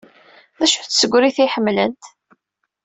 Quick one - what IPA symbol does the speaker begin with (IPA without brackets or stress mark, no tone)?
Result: ð